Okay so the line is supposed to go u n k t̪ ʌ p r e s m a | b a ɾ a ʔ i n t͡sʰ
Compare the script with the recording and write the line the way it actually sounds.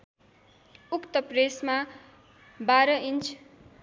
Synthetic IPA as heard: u k t̪ ʌ p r e s m a | b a ɾ ʌ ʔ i n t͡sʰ

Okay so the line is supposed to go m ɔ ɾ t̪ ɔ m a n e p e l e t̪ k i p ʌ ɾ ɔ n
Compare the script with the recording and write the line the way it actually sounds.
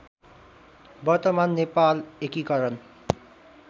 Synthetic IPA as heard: b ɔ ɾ t̪ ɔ m a nː e p a l e k i k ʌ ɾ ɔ n

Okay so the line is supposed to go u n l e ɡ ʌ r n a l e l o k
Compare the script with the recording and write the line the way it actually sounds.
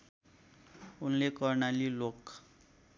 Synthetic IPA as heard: u n l e k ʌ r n a l i l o k

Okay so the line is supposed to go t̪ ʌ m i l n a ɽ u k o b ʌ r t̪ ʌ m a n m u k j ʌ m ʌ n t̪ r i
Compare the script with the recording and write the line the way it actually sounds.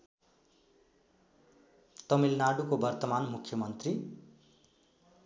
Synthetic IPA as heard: t̪ ʌ m i l n a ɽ u k o b ʌ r t̪ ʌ m a n m u kʰ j ʌ m ʌ n t̪ r i

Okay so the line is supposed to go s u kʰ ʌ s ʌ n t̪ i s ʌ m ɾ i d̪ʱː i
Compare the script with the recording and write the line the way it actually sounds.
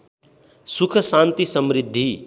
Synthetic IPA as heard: s u kʰ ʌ s a n t̪ i s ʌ m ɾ i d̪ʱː i

